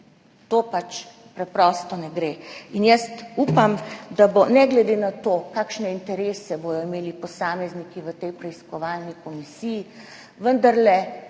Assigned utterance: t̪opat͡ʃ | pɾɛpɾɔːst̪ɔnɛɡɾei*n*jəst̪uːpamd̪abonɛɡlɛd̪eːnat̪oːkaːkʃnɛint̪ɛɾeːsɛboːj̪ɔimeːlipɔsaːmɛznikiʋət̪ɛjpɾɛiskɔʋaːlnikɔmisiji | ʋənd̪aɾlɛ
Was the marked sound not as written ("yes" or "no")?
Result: no